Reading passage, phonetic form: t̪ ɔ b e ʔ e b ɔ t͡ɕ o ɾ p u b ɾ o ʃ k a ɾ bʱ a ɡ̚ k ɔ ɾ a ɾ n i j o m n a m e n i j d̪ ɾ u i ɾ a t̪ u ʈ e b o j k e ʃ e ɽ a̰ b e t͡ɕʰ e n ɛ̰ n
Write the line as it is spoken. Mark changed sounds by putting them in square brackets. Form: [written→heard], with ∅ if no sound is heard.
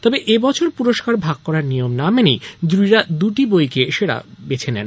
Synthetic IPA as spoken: t̪ ɔ b e ʔ e b ɔ [t͡ɕ→t͡ɕʰ] o ɾ p u [b→∅] ɾ o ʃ k a ɾ bʱ a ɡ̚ k ɔ ɾ a ɾ n i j o m n a m e n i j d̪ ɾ u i ɾ a [t̪→d̪] u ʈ [e→i] b o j k e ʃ e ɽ a̰ b e t͡ɕʰ e n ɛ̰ n